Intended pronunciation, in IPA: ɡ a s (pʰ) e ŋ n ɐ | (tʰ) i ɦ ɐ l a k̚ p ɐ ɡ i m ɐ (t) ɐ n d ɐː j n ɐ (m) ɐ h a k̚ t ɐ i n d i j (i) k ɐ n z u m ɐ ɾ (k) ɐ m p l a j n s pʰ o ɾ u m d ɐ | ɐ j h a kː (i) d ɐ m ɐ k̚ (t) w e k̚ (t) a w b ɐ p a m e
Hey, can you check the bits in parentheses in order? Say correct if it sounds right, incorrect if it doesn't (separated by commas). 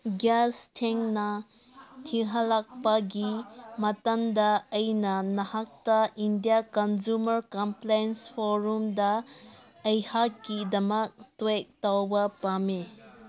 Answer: incorrect, correct, correct, incorrect, incorrect, correct, correct, correct, correct